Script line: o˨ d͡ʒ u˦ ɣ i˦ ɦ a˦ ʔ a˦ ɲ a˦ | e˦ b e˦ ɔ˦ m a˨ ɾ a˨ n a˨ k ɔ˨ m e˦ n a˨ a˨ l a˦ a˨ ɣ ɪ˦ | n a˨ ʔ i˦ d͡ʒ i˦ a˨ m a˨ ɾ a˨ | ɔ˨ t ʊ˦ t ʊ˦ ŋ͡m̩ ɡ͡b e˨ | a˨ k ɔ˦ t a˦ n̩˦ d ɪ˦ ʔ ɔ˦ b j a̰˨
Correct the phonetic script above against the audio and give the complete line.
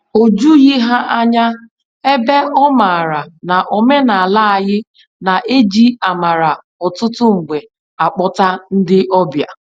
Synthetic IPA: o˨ d͡ʒ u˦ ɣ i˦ ɦ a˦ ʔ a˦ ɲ a˦ | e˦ b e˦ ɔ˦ m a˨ ɾ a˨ n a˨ ʔ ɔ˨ m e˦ n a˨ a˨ l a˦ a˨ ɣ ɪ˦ | n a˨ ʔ e˦ d͡ʒ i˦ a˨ m a˨ ɾ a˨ | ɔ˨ t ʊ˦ t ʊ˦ ŋ͡m̩ ɡ͡b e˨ | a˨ k͡p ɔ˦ t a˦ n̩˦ d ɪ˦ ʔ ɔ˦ b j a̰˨

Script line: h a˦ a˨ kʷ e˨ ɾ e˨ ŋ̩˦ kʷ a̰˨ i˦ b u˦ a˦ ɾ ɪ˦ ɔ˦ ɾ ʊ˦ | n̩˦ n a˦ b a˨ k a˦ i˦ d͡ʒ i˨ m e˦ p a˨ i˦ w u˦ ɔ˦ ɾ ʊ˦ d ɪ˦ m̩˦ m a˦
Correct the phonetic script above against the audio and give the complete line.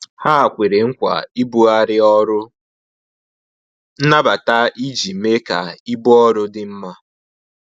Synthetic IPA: h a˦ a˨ kʷ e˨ ɾ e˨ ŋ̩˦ kʷ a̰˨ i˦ b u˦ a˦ ɾ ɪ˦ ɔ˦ ɾ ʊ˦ | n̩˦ n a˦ b a˨ t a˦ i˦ d͡ʒ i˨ m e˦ k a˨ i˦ b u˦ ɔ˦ ɾ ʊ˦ d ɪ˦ m̩˦ m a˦

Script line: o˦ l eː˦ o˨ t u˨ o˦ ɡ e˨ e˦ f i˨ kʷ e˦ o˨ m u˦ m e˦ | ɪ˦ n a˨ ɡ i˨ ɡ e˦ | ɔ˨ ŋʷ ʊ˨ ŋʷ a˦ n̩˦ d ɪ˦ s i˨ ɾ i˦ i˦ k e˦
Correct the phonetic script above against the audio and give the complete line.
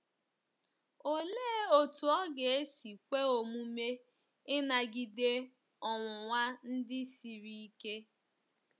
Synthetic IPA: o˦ l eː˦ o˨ t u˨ ɔ˦ ɡ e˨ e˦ s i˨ kʷ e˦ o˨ m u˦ m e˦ | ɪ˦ n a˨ ɡ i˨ d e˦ | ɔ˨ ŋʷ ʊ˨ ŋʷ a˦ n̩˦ d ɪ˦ s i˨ ɾ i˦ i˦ k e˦

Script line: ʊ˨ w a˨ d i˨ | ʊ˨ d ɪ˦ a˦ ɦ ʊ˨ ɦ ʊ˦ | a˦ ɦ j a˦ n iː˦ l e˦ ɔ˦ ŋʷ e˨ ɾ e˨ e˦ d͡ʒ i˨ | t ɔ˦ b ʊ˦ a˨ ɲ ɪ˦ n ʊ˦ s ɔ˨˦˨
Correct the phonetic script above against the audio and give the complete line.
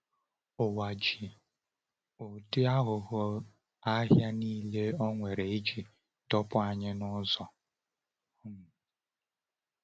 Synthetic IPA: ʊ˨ w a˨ d͡ʒ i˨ | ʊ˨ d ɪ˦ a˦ ɦ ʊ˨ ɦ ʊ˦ | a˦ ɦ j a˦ n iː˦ l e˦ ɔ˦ ŋʷ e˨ ɾ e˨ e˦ d͡ʒ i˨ | t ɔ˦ p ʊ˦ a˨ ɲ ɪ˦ n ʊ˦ z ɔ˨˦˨

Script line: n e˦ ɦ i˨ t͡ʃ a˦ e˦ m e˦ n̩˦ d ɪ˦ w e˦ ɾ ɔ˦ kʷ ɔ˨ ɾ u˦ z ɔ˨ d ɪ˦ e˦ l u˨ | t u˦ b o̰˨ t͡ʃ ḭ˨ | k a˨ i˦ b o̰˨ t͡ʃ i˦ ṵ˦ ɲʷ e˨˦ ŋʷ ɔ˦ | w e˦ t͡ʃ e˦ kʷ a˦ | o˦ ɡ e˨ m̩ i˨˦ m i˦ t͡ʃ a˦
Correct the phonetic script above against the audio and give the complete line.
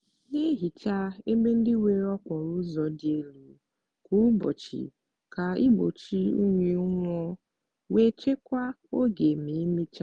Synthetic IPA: n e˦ ɦ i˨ t͡ʃ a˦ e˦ m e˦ n̩˦ d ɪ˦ w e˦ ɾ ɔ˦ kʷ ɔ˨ ɾ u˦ z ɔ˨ d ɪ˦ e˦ l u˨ | k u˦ b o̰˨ t͡ʃ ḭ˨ | k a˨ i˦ b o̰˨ t͡ʃ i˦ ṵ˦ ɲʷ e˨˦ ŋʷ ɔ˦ | w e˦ t͡ʃ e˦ kʷ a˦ | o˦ ɡ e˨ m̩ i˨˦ m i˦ t͡ʃ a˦

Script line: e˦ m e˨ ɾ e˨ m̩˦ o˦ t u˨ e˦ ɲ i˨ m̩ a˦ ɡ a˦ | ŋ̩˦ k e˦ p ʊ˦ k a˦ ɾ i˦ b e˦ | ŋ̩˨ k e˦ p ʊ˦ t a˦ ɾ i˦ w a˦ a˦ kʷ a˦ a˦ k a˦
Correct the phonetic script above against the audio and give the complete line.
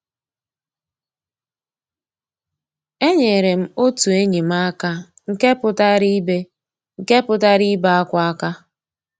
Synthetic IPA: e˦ ɲ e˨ ɾ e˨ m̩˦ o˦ t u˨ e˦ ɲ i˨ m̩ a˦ k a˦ | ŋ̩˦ k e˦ p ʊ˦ t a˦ ɾ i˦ b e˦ | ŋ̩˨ k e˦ p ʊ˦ t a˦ ɾ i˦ b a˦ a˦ kʷ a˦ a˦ k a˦

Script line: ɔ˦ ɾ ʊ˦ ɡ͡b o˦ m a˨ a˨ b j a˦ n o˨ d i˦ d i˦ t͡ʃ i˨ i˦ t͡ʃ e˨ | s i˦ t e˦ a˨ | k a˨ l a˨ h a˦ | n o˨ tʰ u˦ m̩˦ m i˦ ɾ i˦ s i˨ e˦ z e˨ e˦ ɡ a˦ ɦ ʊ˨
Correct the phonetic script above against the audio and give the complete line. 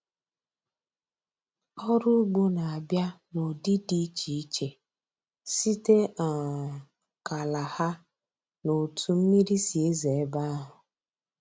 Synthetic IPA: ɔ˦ ɾ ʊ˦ ɡ͡b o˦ n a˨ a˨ b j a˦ n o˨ d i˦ d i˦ t͡ʃ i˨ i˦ t͡ʃ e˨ | s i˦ t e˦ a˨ | k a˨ l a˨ h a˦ | n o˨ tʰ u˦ m̩˦ m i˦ ɾ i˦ s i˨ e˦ z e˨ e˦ b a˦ ɦ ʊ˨

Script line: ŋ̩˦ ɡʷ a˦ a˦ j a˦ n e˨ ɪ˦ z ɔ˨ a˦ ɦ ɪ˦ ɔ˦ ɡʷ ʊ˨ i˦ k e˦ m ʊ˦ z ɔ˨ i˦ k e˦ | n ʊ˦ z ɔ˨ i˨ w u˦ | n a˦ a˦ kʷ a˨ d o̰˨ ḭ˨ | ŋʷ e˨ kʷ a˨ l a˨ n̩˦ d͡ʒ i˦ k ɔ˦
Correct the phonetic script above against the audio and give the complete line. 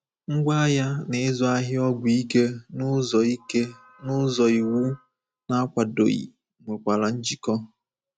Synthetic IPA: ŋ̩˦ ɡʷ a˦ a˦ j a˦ n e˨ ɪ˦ z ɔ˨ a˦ ɦ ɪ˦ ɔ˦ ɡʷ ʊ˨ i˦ k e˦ n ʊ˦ z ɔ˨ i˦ k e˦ | n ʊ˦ z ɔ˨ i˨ w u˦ | n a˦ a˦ kʷ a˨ d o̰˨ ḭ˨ | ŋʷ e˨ kʷ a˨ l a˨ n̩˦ d͡ʒ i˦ k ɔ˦

